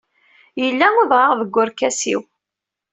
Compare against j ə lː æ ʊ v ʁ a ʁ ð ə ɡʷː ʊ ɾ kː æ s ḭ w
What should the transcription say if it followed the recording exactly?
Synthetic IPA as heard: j ə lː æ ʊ ð ʁ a ʁ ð ə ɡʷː ʊ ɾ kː æ s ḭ w